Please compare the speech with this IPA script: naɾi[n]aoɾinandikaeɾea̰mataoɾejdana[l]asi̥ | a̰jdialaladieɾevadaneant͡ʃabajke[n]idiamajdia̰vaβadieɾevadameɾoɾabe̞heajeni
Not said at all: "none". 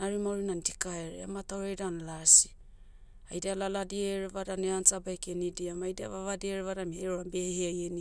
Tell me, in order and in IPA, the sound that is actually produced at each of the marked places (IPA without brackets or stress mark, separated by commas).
m, l, n